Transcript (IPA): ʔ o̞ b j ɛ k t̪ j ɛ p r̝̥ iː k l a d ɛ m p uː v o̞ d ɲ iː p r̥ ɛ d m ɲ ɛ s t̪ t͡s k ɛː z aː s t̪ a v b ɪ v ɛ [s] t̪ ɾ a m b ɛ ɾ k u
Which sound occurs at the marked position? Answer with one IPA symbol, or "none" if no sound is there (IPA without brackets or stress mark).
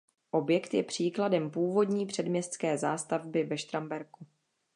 ʃ